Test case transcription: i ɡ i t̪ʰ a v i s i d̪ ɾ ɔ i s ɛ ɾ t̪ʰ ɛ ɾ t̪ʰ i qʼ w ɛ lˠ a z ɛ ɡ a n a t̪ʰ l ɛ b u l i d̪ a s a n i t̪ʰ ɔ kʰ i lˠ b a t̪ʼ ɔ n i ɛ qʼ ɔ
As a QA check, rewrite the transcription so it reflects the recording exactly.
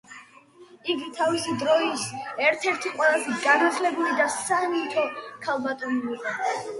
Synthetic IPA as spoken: i ɡ i t̪ʰ a v i s i d̪ ɾ ɔ i s ɛ ɾ t̪ʰ ɛ ɾ t̪ʰ i qʼ w ɛ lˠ a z ɛ ɡ a n a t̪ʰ l ɛ b u l i d̪ a s a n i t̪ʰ ɔ kʰ a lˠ b a t̪ʼ ɔ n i i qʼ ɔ

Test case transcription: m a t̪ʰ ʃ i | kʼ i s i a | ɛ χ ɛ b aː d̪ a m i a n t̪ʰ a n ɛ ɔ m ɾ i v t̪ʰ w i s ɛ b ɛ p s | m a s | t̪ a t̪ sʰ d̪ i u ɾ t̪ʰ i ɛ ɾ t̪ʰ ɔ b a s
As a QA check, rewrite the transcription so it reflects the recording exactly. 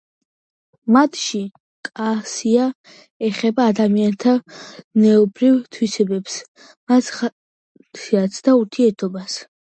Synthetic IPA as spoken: m a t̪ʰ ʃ i | kʼ a s i a | ɛ χ ɛ b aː d̪ a m i a n t̪ʰ a n ɛ ɔ b ɾ i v t̪ʰ w i s ɛ b ɛ p s | m a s | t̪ a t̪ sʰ d̪ a u ɾ t̪ʰ i ɛ ɾ t̪ʰ ɔ b a s

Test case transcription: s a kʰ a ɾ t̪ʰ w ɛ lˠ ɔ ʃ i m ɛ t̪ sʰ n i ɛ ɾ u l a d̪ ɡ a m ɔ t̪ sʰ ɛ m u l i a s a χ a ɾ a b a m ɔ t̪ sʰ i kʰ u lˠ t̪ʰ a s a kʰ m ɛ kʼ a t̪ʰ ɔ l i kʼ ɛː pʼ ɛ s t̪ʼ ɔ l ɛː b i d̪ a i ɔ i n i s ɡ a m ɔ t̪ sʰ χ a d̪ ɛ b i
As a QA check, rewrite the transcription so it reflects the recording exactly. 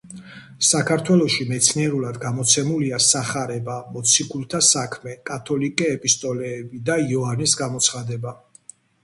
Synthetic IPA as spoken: s a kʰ a ɾ t̪ʰ w ɛ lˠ ɔ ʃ i m ɛ t̪ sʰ n i ɛ ɾ u l a d̪ ɡ a m ɔ t̪ sʰ ɛ m u l i a s a χ a ɾ ɛ b a m ɔ t̪ sʰ i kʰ u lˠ t̪ʰ a s a kʰ m ɛ kʼ a t̪ʰ ɔ l i kʼ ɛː pʼ i s t̪ʼ ɔ l ɛː b i d̪ a i ɔ a n i s ɡ a m ɔ t̪ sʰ χ a d̪ ɛ b a

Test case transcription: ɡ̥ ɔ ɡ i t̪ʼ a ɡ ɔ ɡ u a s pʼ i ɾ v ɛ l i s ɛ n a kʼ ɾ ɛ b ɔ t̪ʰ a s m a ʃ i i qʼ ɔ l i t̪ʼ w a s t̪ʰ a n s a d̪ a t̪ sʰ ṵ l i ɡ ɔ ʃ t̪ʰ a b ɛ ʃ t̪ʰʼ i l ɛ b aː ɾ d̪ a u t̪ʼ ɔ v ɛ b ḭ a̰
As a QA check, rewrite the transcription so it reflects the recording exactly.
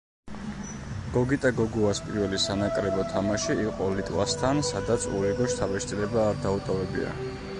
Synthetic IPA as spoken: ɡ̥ ɔ ɡ i t̪ʼ a ɡ ɔ ɡ u a s pʼ i ɾ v ɛ l i s a n a kʼ ɾ ɛ b ɔ t̪ʰ a m a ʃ i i qʼ ɔ l i t̪ʼ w a s t̪ʰ a n s a d̪ a t̪ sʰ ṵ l i ɡ ɔ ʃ t̪ʰ a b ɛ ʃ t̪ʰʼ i l ɛ b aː ɾ d̪ a u t̪ʼ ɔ v ɛ b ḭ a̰

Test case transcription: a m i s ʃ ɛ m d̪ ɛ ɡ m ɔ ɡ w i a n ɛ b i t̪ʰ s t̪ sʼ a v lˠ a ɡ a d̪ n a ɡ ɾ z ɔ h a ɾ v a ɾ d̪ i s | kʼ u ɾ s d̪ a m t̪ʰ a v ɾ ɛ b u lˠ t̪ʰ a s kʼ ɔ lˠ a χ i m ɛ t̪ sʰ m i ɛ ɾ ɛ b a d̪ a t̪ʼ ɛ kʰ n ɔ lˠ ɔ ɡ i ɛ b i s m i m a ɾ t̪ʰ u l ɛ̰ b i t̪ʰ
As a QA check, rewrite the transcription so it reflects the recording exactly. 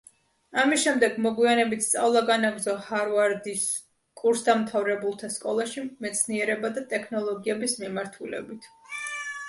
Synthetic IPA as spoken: a m i s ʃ ɛ m d̪ ɛ ɡ m ɔ ɡ w i a n ɛ b i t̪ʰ s t̪ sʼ a v lˠ a ɡ a n a ɡ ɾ z ɔ h a ɾ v a ɾ d̪ i s | kʼ u ɾ s d̪ a m t̪ʰ a v ɾ ɛ b u lˠ t̪ʰ a s kʼ ɔ lˠ a ʃ i m ɛ t̪ sʰ n i ɛ ɾ ɛ b a d̪ a t̪ʼ ɛ kʰ n ɔ lˠ ɔ ɡ i ɛ b i s m i m a ɾ t̪ʰ u l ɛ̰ b i t̪ʰ

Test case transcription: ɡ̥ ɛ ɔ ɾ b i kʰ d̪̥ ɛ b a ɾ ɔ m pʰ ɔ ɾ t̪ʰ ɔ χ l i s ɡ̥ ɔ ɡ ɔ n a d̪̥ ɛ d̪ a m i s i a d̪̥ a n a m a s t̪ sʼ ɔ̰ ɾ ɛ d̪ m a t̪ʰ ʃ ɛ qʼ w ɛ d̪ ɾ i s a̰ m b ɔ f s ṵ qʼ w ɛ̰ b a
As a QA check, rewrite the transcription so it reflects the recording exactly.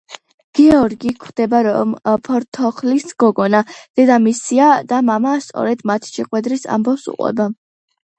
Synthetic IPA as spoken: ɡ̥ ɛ ɔ ɾ ɡ i kʰ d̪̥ ɛ b a ɾ ɔ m pʰ ɔ ɾ t̪ʰ ɔ χ l i s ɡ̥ ɔ ɡ ɔ n a d̪̥ ɛ d̪ a m i s i a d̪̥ a m a m a s t̪ sʼ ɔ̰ ɾ ɛ d̪ m a t̪ʰ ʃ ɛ qʼ w ɛ d̪ ɾ i s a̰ m b ɔ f s ṵ qʼ w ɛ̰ b a

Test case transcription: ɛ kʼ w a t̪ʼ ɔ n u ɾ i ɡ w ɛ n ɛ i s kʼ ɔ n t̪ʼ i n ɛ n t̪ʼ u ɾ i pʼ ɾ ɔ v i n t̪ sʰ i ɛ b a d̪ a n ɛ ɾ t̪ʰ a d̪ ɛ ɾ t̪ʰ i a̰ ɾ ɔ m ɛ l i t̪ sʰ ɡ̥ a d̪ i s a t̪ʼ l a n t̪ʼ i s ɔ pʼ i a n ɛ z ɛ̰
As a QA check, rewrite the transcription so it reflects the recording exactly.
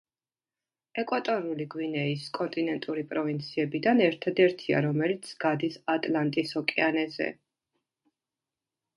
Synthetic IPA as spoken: ɛ kʼ w a t̪ʼ ɔ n u l i ɡ w i n ɛ i s kʼ ɔ n t̪ʼ i n ɛ n t̪ʼ u ɾ i pʼ ɾ ɔ v i n t̪ sʰ i ɛ b i d̪ a n ɛ ɾ t̪ʰ a d̪ ɛ ɾ t̪ʰ i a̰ ɾ ɔ m ɛ l i t̪ sʰ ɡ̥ a d̪ i s a t̪ʼ l a n t̪ʼ i s ɔ kʼ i a n ɛ z ɛ̰

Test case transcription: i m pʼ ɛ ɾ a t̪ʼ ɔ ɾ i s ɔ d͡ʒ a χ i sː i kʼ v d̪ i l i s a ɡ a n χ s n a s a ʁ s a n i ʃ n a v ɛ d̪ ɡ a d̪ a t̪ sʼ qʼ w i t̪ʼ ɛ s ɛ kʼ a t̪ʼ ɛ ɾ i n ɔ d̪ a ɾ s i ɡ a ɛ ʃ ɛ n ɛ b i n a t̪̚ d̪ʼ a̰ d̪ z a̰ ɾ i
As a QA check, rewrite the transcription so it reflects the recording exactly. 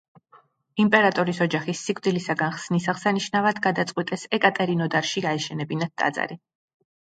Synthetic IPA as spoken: i m pʼ ɛ ɾ a t̪ʼ ɔ ɾ i s ɔ d͡ʒ a χ i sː i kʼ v d̪ i l i s a ɡ a n χ s n i s a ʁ s a n i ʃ n a v a d̪ ɡ a d̪ a t̪ sʼ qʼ w i t̪ʼ ɛ s ɛ kʼ a t̪ʼ ɛ ɾ i n ɔ d̪ a ɾ ʃ i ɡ a ɛ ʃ ɛ n ɛ b i n a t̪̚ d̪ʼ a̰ d̪ z a̰ ɾ i

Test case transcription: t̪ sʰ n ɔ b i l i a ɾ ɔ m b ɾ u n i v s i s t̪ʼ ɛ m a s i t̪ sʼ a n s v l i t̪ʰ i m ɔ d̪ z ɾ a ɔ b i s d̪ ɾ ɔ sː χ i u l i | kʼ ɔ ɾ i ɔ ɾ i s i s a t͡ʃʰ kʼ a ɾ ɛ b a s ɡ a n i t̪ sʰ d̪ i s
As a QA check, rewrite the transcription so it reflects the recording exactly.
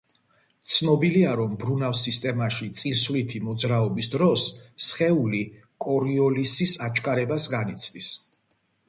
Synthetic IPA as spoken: t̪ sʰ n ɔ b i l i a ɾ ɔ m b ɾ u n a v s i s t̪ʼ ɛ m a ʃ i t̪ sʼ i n s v l i t̪ʰ i m ɔ d̪ z ɾ a ɔ b i s d̪ ɾ ɔ sː χ ɛ u l i | kʼ ɔ ɾ i ɔ l i s i s a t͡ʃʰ kʼ a ɾ ɛ b a s ɡ a n i t̪ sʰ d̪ i s

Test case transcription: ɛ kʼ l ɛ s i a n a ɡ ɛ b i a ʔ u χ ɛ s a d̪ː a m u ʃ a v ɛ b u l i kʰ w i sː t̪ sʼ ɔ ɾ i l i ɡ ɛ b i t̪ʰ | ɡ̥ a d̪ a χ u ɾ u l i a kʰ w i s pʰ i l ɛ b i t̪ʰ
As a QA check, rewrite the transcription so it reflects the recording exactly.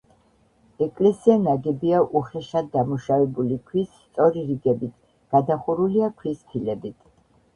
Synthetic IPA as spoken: ɛ kʼ l ɛ s i a n a ɡ ɛ b i a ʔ u χ ɛ ʃ a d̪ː a m u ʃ a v ɛ b u l i kʰ w i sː t̪ sʼ ɔ ɾ i ɾ i ɡ ɛ b i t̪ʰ | ɡ̥ a d̪ a χ u ɾ u l i a kʰ w i s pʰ i l ɛ b i t̪ʰ

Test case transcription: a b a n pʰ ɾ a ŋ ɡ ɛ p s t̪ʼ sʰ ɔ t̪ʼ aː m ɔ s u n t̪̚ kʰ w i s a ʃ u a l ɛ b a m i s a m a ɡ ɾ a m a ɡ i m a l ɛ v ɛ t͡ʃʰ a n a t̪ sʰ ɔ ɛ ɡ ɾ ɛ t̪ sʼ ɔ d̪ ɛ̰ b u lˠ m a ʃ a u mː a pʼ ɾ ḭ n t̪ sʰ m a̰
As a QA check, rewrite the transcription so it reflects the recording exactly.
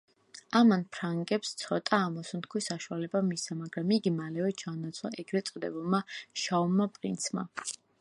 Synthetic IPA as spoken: a m a n pʰ ɾ a ŋ ɡ ɛ p s t̪ sʰ ɔ t̪ʼ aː m ɔ s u n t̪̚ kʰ w i s a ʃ u a l ɛ b a m i s a m a ɡ ɾ a m i ɡ i m a l ɛ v ɛ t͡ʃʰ a n a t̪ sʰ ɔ ɛ ɡ ɾ ɛ t̪ sʼ ɔ d̪ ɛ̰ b u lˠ m a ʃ a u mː a pʼ ɾ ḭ n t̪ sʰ m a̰

